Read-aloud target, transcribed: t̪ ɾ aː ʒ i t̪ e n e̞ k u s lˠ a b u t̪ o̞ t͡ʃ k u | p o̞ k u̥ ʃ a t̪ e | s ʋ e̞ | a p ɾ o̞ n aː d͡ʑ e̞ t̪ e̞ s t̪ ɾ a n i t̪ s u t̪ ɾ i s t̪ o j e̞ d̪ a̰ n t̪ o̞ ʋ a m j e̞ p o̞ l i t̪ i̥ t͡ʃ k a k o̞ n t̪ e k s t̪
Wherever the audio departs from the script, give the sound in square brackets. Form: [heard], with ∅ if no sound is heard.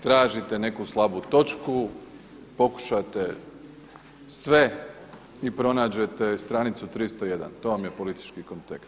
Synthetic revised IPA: t̪ ɾ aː ʒ i t̪ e n e̞ k u s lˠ a b u t̪ o̞ t͡ʃ k u | p o̞ k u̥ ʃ a t̪ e | s ʋ e̞ | [i] p ɾ o̞ n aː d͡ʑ e̞ t̪ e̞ s t̪ ɾ a n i t̪ s u t̪ ɾ i s t̪ o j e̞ d̪ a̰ n t̪ o̞ ʋ a m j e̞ p o̞ l i t̪ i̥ t͡ʃ k [i] k o̞ n t̪ e k s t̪